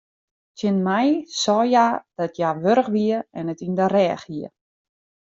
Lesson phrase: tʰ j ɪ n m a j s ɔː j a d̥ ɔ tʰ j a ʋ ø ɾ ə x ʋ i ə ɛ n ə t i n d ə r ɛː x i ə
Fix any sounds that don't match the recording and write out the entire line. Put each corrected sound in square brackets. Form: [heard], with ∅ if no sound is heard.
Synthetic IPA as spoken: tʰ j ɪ n m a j s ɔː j a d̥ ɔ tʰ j a ʋ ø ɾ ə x ʋ i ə ɛ n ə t i n d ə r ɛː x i ə

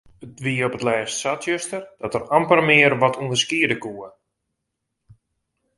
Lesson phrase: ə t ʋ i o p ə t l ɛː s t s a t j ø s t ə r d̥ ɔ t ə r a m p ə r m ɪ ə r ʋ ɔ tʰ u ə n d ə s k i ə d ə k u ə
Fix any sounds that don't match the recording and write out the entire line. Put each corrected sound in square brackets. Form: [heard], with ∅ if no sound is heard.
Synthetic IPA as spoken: ə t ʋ i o p ə t l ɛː s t s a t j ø s t ə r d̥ ɔ t ə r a m p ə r m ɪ ə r ʋ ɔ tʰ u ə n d ə s k i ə d ə k u ə

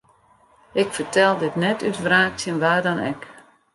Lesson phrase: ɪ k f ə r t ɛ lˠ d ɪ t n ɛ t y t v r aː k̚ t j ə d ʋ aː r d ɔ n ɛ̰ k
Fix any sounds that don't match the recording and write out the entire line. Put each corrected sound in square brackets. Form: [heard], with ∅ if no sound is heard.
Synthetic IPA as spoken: ɪ k f ə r t ɛ lˠ d ɪ t n ɛ t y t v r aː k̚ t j ə [n] ʋ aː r d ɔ n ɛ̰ k

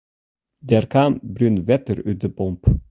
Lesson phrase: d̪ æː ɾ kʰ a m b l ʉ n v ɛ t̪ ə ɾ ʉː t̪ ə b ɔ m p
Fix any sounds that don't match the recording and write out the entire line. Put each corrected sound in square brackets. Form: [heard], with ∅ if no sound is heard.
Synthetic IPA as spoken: d̪ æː ɾ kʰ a m b [ɾ] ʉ n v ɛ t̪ ə ɾ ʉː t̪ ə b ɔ m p

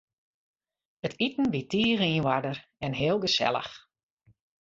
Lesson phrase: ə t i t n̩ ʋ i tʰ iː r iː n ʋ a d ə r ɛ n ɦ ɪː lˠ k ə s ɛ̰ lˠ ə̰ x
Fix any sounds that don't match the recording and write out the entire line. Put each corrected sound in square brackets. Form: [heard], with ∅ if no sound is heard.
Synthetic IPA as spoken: ə t i t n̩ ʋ i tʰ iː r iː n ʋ a d ə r ɛ n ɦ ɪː lˠ [ɡ] ə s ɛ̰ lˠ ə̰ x

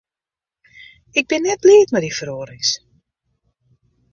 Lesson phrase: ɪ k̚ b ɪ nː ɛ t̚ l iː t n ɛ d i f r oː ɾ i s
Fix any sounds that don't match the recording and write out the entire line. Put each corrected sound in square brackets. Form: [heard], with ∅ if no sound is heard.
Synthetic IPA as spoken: ɪ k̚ b ɪ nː ɛ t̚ l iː t [m] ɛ d i f r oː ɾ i s

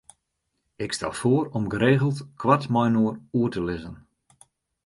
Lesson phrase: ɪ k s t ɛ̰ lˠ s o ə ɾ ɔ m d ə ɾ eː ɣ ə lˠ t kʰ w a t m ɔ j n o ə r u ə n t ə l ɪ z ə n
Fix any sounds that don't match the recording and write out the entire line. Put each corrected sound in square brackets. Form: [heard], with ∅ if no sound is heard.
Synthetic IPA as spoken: ɪ k s t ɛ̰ lˠ [f] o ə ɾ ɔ m [ɡ] ə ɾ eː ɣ ə lˠ t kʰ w a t m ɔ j n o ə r u ə [∅] t ə l ɪ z ə n

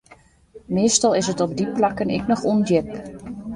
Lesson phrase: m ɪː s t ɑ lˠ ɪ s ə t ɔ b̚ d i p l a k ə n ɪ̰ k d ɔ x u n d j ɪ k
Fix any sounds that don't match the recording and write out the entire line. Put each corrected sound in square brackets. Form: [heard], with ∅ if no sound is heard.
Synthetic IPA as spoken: m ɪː s t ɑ lˠ ɪ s ə t ɔ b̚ d i p l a k ə n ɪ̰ k [n] ɔ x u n d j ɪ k

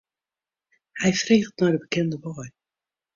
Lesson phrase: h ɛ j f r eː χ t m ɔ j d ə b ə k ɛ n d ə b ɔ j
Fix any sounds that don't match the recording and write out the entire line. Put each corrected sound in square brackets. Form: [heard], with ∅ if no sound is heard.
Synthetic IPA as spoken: h ɛ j f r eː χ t [n] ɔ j d ə b ə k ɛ n d ə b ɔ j

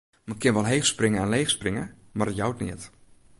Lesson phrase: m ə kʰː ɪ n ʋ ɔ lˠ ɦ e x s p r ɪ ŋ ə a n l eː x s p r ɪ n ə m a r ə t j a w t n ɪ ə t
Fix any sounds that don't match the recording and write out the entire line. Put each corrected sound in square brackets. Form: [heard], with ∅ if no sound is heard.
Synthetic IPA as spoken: m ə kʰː ɪ n ʋ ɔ lˠ ɦ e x s p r ɪ ŋ ə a n l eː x s p r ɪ [ŋ] ə m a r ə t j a w t n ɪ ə t

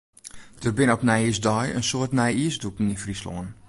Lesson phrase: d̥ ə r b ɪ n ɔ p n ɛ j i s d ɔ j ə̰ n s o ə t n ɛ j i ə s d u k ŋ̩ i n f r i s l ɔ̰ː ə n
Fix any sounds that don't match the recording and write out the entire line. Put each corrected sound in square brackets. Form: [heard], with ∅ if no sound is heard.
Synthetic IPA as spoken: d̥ ə r b ɪ n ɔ p n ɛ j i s d ɔ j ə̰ n s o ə t n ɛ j i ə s d u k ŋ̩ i n f r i s l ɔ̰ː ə n

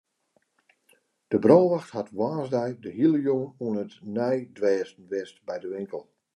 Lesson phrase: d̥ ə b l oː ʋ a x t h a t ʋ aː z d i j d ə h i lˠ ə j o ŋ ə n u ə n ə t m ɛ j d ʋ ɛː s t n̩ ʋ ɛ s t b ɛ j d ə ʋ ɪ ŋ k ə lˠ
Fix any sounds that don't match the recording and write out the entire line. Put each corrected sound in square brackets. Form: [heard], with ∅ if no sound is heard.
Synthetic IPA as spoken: d̥ ə b [r] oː ʋ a x t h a t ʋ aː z d [ɛ] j d ə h i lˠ ə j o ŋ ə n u ə n ə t [n] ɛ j d ʋ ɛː s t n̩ ʋ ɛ s t b ɛ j d ə ʋ ɪ ŋ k ə lˠ

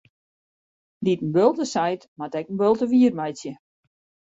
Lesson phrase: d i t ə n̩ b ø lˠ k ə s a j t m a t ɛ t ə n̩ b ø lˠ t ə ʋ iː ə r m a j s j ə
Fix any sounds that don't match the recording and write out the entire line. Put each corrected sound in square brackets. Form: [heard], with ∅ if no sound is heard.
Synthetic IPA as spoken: d i t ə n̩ b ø lˠ [t] ə s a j t m a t ɛ [k] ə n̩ b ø lˠ t ə ʋ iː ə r m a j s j ə

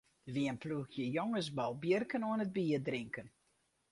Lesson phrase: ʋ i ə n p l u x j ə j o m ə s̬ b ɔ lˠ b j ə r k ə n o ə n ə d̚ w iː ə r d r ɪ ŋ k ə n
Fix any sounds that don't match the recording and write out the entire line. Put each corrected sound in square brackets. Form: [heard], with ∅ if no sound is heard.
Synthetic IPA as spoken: ʋ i ə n p l u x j ə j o [ŋ] ə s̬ b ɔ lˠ b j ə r k ə n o ə n ə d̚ [b] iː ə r d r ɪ ŋ k ə n

